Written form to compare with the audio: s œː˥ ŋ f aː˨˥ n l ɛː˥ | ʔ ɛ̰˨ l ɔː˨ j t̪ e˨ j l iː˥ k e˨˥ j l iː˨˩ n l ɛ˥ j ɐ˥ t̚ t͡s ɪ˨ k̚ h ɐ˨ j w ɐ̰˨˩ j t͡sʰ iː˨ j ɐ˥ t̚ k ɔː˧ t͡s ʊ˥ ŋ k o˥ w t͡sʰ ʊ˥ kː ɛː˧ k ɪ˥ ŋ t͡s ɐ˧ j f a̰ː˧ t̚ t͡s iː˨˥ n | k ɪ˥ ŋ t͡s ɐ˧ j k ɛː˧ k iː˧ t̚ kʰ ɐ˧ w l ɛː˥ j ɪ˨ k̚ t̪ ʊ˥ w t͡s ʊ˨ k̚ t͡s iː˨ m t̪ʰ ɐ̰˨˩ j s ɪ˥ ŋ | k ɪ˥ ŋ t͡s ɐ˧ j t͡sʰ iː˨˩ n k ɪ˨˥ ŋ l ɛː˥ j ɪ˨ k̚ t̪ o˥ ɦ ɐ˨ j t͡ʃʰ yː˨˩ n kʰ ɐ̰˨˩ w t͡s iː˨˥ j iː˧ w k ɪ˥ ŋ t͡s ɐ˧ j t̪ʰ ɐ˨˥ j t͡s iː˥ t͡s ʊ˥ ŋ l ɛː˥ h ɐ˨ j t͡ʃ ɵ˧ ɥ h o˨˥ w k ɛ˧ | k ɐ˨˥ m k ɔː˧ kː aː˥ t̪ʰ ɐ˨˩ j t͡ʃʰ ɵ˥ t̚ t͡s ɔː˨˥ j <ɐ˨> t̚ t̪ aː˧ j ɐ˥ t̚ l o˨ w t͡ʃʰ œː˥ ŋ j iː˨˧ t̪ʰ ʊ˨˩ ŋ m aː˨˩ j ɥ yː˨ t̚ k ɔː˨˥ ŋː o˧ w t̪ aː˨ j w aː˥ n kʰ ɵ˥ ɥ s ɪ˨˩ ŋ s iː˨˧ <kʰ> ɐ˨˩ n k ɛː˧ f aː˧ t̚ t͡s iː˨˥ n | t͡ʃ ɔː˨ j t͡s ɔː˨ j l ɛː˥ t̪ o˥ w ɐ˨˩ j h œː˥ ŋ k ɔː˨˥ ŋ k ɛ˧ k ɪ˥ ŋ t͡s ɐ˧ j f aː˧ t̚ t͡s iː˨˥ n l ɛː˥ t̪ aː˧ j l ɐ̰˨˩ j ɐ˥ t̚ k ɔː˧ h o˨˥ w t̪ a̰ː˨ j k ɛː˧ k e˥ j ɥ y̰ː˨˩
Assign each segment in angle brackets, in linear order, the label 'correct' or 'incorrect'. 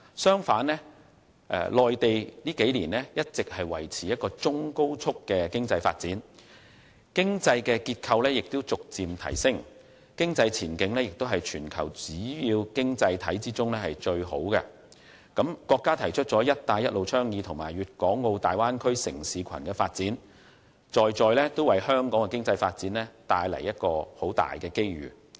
incorrect, correct

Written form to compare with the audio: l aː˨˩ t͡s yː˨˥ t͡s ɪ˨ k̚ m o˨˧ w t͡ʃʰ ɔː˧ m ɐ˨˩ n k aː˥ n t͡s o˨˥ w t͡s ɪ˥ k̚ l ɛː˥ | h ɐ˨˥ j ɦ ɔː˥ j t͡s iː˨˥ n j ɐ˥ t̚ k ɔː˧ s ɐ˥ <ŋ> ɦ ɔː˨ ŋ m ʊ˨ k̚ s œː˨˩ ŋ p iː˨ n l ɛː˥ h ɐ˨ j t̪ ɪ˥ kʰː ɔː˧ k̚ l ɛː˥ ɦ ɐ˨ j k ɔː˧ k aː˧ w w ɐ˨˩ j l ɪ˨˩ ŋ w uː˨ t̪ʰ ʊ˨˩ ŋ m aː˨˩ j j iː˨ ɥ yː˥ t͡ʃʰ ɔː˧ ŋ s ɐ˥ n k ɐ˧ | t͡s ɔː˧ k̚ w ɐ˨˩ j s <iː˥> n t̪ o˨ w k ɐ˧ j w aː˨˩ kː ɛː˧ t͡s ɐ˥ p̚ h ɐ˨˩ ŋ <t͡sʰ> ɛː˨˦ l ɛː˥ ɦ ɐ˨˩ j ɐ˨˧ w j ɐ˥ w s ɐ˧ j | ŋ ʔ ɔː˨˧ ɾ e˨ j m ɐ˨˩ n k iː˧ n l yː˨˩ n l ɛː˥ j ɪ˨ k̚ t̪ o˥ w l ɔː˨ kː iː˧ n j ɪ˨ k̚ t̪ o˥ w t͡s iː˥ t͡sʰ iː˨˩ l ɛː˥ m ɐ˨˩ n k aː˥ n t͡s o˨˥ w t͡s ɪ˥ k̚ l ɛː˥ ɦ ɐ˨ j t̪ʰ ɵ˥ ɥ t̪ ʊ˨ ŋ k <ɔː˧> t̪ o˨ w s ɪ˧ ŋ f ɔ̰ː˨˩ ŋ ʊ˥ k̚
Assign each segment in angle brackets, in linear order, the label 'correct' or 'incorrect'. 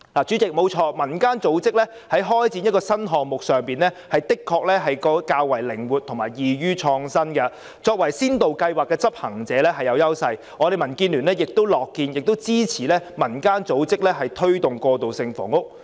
incorrect, correct, incorrect, correct

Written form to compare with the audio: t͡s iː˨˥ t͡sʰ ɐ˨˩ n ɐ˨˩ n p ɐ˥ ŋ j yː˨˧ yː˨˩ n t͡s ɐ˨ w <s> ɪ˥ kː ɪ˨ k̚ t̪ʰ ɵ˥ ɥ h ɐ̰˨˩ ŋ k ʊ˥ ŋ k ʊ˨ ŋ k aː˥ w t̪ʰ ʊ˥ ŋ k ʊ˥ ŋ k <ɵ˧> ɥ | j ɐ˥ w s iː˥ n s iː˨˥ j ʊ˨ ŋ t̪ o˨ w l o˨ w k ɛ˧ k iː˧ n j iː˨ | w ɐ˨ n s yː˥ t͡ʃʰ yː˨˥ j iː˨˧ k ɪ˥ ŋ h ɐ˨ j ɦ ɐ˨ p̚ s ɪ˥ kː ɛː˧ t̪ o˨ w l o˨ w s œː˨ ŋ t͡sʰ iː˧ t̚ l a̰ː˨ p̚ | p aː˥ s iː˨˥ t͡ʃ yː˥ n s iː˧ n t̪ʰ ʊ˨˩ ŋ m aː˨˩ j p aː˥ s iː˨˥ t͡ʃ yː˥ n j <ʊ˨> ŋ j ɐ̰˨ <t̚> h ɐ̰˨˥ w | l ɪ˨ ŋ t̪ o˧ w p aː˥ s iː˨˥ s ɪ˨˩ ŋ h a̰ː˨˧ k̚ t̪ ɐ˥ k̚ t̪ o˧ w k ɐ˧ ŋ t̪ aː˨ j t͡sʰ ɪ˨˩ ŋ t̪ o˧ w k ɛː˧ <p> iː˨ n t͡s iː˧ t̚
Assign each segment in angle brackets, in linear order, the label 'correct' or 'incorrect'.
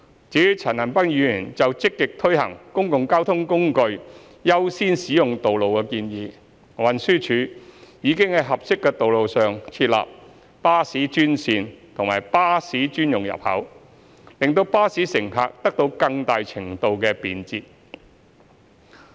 incorrect, correct, correct, incorrect, correct

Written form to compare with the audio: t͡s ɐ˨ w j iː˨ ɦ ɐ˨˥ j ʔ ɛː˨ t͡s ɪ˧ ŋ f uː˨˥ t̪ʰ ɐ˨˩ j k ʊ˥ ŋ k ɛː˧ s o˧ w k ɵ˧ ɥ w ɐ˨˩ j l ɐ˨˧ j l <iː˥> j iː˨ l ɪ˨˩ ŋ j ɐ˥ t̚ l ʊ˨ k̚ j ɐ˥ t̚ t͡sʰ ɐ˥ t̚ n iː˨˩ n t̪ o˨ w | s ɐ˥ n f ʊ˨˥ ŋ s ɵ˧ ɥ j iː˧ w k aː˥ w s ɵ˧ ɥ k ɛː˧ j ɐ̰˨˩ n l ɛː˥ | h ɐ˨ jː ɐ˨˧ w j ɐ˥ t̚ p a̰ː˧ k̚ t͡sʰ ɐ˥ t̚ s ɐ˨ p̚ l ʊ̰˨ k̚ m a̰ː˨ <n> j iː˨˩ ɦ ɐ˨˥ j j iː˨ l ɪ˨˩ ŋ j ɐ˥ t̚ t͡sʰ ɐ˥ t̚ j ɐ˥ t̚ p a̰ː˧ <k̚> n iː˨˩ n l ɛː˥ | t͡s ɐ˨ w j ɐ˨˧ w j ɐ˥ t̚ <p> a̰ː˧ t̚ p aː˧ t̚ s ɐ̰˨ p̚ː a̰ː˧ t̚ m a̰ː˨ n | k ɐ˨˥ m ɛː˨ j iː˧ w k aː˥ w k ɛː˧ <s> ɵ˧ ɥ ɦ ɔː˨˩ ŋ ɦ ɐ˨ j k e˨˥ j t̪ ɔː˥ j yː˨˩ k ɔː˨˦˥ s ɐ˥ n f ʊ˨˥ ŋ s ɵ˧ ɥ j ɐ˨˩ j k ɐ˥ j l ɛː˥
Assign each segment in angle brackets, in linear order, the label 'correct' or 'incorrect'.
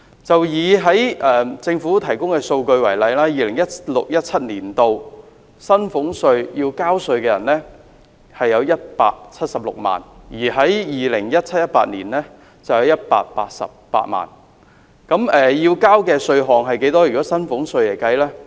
incorrect, correct, incorrect, correct, correct

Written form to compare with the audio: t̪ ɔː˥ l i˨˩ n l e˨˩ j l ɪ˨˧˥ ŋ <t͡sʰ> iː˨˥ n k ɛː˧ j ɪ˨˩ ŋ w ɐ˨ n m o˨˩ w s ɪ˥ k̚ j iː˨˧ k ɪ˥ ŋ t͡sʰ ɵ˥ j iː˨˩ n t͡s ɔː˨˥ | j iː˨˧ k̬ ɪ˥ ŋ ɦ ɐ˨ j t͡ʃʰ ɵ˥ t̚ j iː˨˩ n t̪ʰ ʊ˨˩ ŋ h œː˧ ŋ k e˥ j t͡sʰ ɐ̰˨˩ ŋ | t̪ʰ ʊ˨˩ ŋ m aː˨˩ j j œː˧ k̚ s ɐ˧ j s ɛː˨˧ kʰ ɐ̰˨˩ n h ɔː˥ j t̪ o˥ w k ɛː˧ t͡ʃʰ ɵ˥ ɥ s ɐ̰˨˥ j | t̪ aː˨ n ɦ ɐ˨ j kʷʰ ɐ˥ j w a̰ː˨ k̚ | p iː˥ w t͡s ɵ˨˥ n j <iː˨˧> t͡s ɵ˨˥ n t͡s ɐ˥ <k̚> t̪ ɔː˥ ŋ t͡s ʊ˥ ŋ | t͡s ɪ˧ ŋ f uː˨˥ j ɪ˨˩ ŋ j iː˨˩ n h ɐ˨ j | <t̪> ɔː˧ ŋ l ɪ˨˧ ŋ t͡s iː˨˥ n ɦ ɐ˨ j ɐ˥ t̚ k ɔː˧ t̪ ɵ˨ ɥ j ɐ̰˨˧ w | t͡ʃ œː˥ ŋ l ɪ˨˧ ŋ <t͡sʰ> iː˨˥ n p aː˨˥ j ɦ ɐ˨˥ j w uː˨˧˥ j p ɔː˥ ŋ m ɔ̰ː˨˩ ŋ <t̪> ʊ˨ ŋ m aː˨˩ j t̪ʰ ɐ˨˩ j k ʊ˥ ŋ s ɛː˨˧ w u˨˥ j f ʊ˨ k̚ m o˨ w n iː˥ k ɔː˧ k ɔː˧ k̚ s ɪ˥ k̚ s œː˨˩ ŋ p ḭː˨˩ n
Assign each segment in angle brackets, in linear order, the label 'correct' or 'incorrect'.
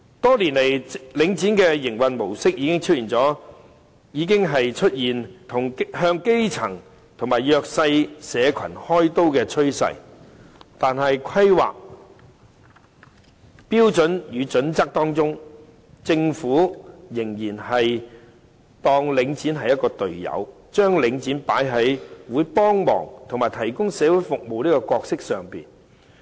incorrect, incorrect, correct, correct, incorrect, incorrect

